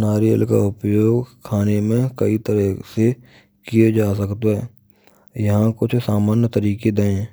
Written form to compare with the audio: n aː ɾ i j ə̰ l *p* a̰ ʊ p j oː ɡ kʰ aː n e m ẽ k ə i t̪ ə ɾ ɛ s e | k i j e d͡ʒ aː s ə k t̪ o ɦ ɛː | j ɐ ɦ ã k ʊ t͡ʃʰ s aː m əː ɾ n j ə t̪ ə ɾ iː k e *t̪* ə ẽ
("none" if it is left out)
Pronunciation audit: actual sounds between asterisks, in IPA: k, d̪

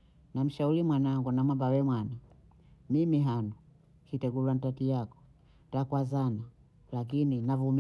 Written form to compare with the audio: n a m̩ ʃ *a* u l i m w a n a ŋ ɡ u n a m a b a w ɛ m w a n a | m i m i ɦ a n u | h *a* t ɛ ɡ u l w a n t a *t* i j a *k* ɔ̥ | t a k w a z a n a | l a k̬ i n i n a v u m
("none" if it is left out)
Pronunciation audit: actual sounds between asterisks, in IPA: a, i, t, k

